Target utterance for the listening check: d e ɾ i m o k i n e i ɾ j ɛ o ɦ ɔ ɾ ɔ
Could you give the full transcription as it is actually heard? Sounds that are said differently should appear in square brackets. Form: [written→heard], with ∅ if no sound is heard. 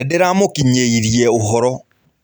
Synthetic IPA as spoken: d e ɾ [i→a] m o k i [n→ɲ] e i ɾ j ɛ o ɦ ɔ ɾ ɔ